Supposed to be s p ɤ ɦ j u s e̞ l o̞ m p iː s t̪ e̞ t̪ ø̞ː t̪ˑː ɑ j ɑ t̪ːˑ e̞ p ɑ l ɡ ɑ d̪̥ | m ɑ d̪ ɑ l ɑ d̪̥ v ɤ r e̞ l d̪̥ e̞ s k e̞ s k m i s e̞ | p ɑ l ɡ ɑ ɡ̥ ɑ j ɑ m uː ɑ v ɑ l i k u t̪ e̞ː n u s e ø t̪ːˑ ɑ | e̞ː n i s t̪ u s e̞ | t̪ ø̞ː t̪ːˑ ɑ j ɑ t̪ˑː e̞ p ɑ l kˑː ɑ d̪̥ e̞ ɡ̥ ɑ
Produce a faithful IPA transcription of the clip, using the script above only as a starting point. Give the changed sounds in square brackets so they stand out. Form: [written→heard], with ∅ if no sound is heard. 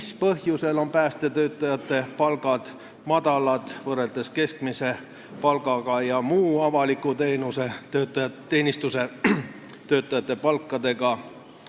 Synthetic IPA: s p ɤ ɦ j u s e̞ l o̞ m p [iː→æː] s t̪ e̞ t̪ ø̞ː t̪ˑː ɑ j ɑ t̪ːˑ e̞ p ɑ l ɡ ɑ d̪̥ | m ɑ d̪ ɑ l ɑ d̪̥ v ɤ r e̞ l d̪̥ e̞ s k e̞ s k m i s e̞ | p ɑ l ɡ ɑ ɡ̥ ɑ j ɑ m uː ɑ v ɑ l i k u t̪ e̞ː n u s e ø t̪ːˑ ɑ | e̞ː n i s t̪ u s e̞ | t̪ ø̞ː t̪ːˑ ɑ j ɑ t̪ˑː e̞ p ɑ l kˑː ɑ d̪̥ e̞ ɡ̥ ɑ